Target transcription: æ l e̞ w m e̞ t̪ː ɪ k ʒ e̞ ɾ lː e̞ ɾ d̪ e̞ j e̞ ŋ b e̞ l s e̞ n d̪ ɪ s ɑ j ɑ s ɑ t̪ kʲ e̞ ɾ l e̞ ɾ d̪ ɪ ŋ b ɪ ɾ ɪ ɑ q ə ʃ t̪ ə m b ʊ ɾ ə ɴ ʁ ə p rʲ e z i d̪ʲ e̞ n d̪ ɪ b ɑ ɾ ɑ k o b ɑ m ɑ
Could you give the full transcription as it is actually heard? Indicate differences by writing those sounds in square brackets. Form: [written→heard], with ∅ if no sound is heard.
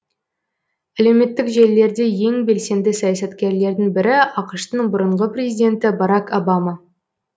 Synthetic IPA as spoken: æ l e̞ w m e̞ t̪ː ɪ k ʒ e̞ [ɾ→∅] lː e̞ ɾ d̪ e̞ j e̞ ŋ b e̞ l s e̞ n d̪ ɪ s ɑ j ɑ s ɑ t̪ kʲ e̞ ɾ l e̞ ɾ d̪ ɪ ŋ b ɪ ɾ ɪ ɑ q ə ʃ t̪ ə [m→ɴ] b ʊ ɾ ə ɴ ʁ ə p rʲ e z i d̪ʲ e̞ n [d̪→t̪] ɪ b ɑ ɾ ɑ k o b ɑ m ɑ